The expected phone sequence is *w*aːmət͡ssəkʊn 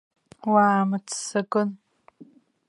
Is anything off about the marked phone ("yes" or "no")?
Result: no